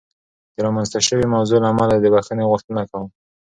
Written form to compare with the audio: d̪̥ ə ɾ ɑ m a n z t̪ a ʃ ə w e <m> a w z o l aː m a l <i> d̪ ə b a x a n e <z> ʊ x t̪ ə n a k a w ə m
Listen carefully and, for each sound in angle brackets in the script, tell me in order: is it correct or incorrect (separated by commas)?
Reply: correct, incorrect, incorrect